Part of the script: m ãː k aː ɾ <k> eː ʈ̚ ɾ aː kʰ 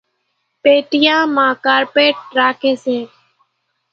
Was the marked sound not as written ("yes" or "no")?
yes